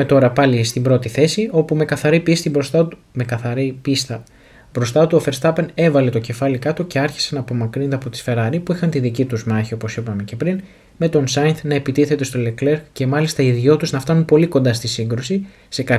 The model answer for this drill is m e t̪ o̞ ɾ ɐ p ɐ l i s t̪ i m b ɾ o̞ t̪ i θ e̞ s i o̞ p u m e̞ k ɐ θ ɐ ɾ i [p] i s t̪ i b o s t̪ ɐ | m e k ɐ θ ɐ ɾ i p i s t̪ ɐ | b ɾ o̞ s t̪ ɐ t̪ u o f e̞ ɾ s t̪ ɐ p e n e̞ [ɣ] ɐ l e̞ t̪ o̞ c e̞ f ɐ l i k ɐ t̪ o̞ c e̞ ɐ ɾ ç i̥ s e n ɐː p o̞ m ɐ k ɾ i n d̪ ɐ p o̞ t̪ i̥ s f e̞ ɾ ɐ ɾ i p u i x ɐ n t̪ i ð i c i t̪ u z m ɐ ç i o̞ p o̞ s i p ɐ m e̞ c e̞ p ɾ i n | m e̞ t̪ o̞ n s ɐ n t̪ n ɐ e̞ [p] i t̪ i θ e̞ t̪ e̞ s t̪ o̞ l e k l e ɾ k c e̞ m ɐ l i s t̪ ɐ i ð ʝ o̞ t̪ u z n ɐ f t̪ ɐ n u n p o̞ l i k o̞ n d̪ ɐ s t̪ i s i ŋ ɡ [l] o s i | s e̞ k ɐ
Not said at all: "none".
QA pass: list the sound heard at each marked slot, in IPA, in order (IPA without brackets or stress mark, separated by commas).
p, v, p, ɾ